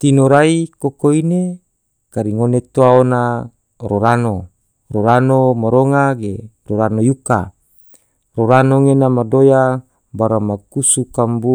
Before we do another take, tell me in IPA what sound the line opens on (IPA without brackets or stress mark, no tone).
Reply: t̪